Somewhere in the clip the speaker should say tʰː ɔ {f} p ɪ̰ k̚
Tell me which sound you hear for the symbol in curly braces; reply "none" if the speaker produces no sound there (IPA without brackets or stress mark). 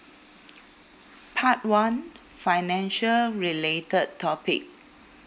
none